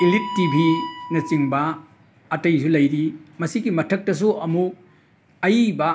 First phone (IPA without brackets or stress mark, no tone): i